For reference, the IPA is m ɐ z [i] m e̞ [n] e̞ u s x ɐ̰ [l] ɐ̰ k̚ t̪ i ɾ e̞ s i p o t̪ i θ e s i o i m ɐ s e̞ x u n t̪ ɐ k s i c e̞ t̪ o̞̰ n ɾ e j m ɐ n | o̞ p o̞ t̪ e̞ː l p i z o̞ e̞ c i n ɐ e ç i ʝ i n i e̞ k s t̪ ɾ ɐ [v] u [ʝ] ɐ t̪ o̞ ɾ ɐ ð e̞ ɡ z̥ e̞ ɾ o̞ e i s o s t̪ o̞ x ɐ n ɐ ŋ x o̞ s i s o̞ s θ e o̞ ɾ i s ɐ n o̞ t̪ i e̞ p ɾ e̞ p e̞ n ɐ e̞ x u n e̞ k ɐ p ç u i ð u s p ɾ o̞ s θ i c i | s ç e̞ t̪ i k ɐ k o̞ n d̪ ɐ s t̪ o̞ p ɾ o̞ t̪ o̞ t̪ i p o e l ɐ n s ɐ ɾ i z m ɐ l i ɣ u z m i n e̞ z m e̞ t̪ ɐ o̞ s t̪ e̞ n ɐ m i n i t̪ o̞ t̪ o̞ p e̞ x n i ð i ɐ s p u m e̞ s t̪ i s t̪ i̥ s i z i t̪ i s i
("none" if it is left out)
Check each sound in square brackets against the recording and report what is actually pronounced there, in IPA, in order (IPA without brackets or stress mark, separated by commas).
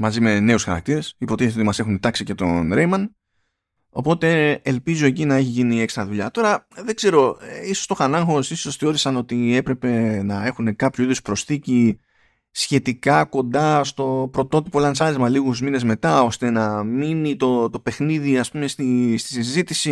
i, n, ɾ, ð, ʎ